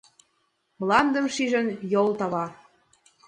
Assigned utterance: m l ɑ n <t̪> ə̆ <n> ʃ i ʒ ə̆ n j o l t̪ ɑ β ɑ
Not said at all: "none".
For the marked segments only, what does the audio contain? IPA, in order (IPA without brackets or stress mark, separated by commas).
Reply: d̪, m